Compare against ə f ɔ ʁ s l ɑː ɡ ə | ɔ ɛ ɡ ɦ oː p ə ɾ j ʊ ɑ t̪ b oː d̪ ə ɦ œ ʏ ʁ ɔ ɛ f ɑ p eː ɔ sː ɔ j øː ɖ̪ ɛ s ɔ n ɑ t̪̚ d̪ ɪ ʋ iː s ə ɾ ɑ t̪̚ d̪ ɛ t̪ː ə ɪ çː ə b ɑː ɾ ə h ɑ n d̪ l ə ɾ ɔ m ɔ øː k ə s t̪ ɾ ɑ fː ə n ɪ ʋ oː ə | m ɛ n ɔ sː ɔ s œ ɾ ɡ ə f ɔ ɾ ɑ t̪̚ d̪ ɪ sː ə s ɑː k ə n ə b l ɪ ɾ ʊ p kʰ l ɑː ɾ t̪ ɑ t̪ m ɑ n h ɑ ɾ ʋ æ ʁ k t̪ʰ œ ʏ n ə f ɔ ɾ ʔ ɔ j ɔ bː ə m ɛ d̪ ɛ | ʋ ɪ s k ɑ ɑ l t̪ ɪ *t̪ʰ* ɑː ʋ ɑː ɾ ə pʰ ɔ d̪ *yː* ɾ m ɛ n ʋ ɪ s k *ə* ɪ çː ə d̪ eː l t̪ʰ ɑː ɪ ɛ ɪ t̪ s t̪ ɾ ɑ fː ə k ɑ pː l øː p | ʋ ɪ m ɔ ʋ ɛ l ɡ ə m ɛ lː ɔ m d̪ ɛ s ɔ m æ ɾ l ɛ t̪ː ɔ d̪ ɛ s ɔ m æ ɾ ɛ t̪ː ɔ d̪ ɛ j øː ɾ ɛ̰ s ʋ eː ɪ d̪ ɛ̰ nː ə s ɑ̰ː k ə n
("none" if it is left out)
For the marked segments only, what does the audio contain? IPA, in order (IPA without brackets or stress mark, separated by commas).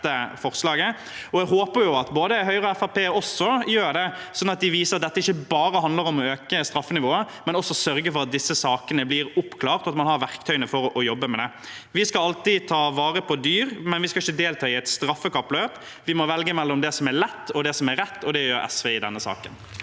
t̪ʰ, yː, ɑ